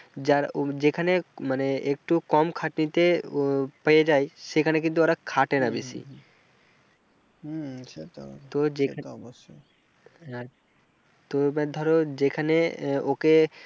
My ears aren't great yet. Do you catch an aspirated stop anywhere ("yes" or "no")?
yes